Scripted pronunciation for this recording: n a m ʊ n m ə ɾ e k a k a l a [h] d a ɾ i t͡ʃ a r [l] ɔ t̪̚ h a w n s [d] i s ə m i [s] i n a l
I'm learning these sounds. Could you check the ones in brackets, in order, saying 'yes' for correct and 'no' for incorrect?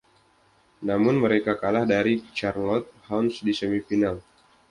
yes, yes, yes, no

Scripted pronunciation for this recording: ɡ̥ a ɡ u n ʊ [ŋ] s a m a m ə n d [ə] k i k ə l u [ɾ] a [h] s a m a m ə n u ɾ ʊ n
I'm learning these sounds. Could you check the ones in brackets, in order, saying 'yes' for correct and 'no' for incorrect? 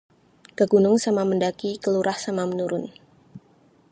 yes, no, yes, yes

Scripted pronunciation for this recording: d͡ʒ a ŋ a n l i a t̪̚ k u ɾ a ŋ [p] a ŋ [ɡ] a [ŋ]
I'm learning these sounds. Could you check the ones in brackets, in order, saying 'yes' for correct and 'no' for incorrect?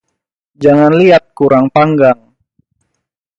yes, yes, yes

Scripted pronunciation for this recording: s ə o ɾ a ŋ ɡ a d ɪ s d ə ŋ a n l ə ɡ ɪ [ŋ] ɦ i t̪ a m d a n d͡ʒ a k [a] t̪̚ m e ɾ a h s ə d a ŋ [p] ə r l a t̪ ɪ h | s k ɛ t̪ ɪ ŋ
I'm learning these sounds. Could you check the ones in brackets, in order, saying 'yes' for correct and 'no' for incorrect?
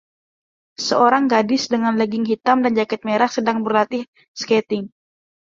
yes, no, no

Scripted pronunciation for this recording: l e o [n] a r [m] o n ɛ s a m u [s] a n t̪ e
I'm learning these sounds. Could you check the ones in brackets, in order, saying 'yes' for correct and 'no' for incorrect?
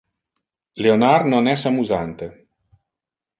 yes, no, no

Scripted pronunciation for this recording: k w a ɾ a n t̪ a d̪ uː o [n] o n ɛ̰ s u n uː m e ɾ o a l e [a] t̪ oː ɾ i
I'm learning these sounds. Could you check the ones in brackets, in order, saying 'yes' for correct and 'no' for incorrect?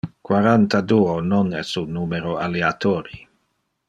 yes, yes

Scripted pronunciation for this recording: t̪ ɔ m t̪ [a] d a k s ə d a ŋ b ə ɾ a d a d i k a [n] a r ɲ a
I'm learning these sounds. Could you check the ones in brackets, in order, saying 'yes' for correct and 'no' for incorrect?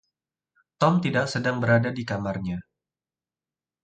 no, no

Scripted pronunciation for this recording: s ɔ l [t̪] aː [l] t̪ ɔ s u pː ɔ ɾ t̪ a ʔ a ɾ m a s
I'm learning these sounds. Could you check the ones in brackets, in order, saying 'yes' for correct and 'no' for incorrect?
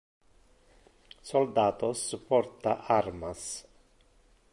no, no

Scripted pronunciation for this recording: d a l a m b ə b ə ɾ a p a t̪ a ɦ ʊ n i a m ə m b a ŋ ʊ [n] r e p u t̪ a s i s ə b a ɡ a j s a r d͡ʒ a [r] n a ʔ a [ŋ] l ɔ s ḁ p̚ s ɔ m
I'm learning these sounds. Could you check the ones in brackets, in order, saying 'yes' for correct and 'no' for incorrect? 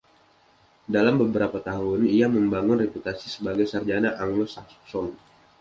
yes, no, yes

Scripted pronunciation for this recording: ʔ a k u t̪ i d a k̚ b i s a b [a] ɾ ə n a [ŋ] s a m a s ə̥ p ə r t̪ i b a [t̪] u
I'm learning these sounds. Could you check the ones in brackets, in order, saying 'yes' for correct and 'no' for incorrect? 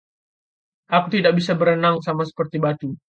no, yes, yes

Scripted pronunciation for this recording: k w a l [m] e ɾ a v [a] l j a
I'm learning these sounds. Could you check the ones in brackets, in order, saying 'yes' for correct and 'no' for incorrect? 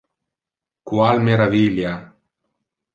yes, no

